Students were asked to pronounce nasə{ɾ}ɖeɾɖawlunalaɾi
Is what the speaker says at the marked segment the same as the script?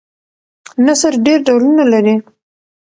yes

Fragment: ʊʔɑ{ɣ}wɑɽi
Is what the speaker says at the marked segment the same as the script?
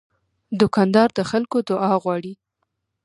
yes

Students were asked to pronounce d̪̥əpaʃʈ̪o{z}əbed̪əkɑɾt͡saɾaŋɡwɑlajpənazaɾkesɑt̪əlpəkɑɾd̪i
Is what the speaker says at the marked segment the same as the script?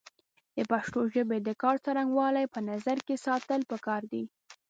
no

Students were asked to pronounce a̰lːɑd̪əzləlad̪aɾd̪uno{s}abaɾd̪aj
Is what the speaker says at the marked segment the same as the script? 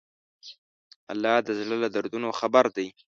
no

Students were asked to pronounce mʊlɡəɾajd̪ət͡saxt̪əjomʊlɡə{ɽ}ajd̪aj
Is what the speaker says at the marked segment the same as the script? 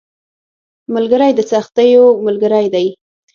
no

